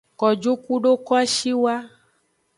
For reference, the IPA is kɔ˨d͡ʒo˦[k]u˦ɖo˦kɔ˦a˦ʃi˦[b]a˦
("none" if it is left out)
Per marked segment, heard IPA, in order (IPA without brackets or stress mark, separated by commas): k, w